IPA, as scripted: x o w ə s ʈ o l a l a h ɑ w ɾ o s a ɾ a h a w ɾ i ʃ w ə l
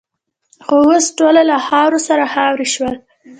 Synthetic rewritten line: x o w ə s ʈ o l a l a h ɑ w ɾ o s a ɾ a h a w ɾ i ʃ w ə l